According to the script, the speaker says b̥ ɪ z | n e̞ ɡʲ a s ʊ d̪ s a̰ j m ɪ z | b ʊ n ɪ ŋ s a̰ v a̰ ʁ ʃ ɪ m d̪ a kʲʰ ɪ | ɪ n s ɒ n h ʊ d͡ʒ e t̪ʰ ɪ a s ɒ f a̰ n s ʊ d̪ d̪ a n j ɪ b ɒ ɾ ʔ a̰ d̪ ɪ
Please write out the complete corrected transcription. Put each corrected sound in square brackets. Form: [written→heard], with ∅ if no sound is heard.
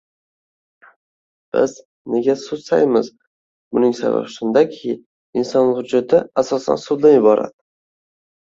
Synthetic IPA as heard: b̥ ɪ z | n e̞ ɡʲ a s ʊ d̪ s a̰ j m ɪ z | b ʊ n ɪ ŋ s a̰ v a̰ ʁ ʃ ɪ [m→n] d̪ a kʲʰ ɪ | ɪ n s ɒ n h ʊ d͡ʒ [e→a] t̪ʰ ɪ a s ɒ [f→s] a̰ n s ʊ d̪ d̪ a n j ɪ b ɒ ɾ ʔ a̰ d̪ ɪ

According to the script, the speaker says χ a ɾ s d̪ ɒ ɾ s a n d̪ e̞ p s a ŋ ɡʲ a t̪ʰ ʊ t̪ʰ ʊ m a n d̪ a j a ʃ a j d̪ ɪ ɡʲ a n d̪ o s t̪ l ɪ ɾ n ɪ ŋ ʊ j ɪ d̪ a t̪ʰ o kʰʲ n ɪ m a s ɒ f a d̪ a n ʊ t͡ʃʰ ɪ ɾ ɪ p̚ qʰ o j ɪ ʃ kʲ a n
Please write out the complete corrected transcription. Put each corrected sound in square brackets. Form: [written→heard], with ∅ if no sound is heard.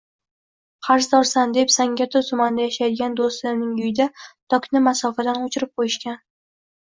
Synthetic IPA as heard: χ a ɾ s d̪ ɒ ɾ s a n d̪ e̞ p s a ŋ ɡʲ a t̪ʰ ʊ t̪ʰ ʊ m a n d̪ a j a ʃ a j d̪ ɪ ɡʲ a n d̪ o s t̪ l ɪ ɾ n ɪ ŋ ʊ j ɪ d̪ a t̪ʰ [o→ɒ] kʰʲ n ɪ m a s ɒ f a d̪ a n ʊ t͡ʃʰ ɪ ɾ ɪ p̚ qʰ o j ɪ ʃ kʲ a n

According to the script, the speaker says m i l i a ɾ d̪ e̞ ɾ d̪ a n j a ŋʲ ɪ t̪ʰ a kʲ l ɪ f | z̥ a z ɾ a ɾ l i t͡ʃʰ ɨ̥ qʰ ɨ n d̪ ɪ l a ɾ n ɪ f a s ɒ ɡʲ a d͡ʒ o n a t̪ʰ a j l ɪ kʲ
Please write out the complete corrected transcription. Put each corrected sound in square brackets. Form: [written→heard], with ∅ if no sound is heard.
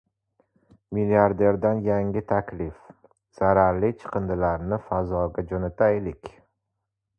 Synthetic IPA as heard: m i l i a ɾ d̪ e̞ ɾ d̪ a n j a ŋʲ ɪ t̪ʰ a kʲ l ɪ f | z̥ a [z→∅] ɾ a ɾ l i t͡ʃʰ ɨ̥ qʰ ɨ n d̪ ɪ l a ɾ n ɪ f a [s→z] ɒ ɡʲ a d͡ʒ o n a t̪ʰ a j l ɪ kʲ

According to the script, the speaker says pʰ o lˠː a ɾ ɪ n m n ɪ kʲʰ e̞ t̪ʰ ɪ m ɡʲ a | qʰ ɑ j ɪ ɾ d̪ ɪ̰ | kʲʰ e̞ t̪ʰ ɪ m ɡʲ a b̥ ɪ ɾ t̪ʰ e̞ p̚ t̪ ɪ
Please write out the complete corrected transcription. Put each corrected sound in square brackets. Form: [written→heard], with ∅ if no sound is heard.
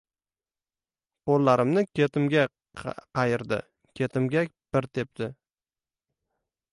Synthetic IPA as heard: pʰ o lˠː a ɾ ɪ [n→∅] m n ɪ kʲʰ e̞ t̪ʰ ɪ m ɡʲ a | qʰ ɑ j ɪ ɾ d̪ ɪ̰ | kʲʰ e̞ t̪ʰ ɪ m ɡʲ a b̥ ɪ ɾ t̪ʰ e̞ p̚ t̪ ɪ

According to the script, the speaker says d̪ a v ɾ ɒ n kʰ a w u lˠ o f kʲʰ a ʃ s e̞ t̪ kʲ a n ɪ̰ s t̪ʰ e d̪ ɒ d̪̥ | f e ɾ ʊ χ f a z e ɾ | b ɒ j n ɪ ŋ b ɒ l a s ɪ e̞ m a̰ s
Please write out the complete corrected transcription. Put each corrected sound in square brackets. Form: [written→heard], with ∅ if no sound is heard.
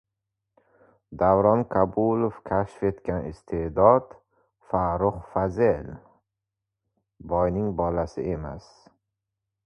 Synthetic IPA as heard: d̪ a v ɾ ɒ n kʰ a [w→b] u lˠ o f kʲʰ a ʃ [s→f] e̞ t̪ kʲ a n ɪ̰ s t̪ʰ e d̪ ɒ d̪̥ | f [e→a] ɾ ʊ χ f a z e [ɾ→l] | b ɒ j n ɪ ŋ b ɒ l a s ɪ e̞ m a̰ s

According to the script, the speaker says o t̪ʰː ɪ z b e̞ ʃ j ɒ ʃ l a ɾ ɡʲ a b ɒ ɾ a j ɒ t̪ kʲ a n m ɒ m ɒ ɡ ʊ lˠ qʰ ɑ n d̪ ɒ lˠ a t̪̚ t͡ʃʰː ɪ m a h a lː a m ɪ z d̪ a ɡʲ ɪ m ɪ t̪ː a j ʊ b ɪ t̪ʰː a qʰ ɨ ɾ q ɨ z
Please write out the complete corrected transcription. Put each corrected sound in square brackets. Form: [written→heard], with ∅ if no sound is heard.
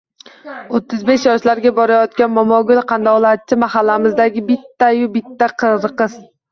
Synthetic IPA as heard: o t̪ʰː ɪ z b e̞ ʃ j ɒ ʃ l a ɾ ɡʲ a b ɒ ɾ a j ɒ t̪ kʲ a n m ɒ m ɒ ɡ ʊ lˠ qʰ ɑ n d̪ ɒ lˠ a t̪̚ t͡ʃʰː ɪ m a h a lː a m ɪ z d̪ a ɡʲ ɪ [m→b] ɪ t̪ː a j ʊ b ɪ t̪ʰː a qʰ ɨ ɾ q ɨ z

